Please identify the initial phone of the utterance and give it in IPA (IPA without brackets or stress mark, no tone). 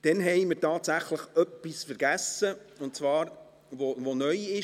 d̥